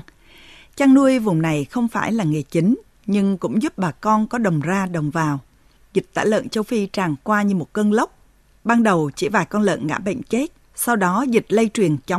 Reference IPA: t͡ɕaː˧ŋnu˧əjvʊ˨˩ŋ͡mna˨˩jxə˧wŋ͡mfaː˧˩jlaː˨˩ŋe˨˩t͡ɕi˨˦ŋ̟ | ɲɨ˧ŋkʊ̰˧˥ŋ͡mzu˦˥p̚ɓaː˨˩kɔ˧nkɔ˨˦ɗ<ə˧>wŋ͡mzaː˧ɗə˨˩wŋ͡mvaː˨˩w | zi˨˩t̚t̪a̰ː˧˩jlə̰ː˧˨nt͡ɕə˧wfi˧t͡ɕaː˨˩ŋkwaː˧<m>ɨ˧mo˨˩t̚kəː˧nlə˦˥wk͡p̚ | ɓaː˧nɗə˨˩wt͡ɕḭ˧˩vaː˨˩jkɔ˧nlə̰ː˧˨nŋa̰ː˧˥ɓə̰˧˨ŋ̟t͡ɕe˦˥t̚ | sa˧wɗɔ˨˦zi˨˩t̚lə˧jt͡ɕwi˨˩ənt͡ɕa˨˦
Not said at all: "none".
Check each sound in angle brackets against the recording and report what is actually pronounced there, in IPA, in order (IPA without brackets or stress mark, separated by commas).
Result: ə˨˩, ɲ